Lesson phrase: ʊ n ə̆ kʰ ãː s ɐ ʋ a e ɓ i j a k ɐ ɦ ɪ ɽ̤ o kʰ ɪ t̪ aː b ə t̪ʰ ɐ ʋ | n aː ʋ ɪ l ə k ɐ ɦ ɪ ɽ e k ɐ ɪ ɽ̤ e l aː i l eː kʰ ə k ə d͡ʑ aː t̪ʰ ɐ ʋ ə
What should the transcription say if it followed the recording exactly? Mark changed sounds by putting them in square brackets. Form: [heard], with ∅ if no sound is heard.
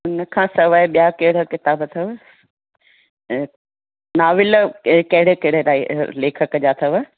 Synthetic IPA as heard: ʊ n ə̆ kʰ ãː s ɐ ʋ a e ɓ i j a k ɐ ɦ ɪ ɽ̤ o [k] ɪ t̪ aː b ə t̪ʰ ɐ ʋ | n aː ʋ ɪ l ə k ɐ ɦ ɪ ɽ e k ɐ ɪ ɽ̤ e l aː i l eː kʰ ə k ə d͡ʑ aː t̪ʰ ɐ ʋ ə